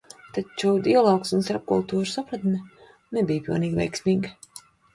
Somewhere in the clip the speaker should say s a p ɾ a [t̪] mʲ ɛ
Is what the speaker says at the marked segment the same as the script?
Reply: yes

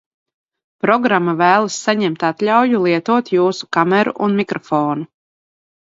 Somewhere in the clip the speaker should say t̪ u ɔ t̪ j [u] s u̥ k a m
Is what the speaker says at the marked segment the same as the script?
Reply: no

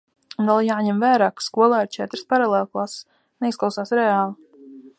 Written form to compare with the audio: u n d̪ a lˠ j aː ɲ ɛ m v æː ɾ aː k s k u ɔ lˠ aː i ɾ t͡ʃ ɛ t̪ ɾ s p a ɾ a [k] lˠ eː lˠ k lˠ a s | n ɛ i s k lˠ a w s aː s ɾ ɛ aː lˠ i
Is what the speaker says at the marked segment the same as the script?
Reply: no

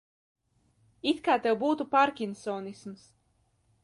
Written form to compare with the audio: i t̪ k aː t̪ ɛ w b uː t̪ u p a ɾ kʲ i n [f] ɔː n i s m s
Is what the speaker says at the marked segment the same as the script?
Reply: no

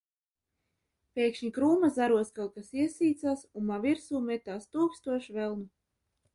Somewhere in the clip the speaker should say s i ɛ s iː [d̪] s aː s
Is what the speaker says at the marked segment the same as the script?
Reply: no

